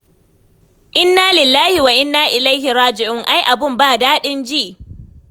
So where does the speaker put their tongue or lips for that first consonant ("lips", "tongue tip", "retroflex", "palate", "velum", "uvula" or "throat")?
throat